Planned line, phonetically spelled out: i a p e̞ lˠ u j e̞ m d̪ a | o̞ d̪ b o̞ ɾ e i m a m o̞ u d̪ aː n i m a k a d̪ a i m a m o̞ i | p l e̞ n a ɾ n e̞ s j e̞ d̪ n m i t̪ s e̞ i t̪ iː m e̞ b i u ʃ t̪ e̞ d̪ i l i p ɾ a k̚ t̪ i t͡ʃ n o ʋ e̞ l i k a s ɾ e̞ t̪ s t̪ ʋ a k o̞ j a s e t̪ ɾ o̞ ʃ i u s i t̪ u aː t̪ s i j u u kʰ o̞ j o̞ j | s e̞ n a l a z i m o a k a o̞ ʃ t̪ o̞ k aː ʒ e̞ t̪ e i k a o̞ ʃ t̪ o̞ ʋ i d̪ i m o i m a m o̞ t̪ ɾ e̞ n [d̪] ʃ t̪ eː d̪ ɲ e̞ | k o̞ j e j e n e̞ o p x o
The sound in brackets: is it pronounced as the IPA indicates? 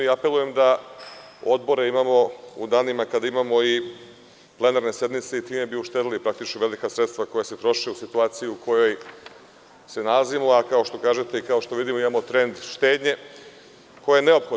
yes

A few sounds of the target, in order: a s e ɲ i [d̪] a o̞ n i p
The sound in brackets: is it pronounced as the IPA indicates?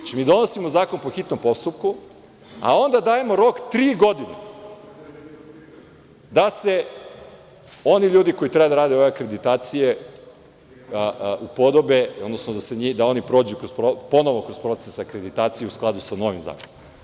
yes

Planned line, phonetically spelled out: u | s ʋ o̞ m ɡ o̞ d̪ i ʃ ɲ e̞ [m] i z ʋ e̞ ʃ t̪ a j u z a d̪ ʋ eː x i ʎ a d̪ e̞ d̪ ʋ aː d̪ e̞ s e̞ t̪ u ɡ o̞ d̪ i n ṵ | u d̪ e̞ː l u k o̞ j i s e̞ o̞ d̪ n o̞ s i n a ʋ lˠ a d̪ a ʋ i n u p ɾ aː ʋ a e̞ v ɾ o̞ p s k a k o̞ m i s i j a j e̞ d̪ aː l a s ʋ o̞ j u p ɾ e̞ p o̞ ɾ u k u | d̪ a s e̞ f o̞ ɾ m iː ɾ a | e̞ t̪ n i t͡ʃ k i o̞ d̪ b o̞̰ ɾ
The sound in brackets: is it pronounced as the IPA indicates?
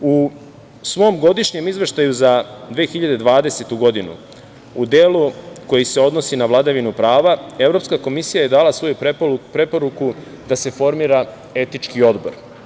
yes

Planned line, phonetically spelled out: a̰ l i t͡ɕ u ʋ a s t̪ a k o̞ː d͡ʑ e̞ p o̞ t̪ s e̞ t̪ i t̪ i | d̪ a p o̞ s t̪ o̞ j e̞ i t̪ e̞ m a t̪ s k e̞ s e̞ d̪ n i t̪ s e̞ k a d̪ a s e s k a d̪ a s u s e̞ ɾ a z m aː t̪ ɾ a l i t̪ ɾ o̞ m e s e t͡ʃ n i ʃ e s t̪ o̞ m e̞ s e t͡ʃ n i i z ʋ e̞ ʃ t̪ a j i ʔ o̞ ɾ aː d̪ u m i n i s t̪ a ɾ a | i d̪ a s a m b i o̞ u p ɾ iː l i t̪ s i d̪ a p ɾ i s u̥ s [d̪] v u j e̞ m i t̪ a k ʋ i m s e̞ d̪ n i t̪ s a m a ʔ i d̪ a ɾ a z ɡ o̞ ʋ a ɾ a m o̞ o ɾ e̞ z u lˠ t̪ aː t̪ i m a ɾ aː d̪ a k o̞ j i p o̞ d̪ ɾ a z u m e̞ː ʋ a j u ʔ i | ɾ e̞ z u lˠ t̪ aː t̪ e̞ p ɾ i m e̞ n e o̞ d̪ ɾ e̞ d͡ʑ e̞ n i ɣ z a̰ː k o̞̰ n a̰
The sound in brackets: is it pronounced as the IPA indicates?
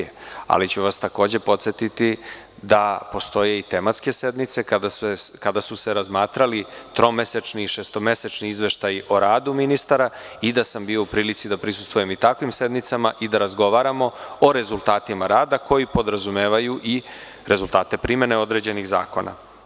no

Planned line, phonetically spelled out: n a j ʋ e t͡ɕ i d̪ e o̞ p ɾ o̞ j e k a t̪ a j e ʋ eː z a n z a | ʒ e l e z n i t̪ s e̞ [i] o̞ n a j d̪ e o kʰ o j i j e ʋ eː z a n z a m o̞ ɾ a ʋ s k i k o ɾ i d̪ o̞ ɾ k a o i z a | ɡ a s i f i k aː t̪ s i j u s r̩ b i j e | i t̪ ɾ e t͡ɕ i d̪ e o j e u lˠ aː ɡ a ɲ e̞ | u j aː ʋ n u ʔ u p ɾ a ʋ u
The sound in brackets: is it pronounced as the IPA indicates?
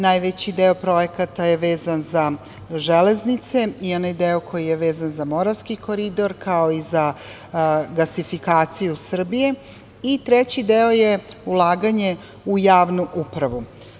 yes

